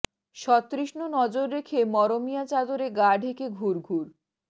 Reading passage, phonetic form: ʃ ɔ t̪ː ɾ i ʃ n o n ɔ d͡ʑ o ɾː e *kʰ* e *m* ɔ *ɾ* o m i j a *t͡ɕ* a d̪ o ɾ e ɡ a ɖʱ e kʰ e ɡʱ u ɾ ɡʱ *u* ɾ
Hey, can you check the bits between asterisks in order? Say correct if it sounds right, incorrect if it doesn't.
correct, correct, correct, correct, correct

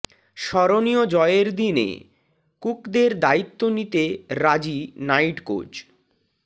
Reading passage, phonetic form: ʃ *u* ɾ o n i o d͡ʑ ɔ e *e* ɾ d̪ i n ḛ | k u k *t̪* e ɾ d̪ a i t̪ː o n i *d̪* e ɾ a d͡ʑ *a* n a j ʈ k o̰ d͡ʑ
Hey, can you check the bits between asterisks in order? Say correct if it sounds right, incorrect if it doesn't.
incorrect: ɔ, correct, incorrect: d̪, incorrect: t̪, incorrect: i

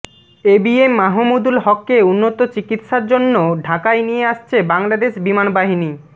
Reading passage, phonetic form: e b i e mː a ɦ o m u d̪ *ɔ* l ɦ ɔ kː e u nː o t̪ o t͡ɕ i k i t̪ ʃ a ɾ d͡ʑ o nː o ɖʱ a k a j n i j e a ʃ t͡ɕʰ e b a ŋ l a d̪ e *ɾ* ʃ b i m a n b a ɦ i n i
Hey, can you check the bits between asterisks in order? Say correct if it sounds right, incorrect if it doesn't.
incorrect: u, incorrect: none

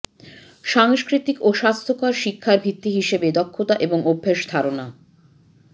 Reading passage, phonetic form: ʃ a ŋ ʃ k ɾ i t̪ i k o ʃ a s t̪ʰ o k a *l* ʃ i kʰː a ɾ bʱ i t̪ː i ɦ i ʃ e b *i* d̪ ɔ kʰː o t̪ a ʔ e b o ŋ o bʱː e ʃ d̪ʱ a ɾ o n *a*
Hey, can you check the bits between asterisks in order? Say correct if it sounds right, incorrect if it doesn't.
incorrect: ɾ, incorrect: e, correct

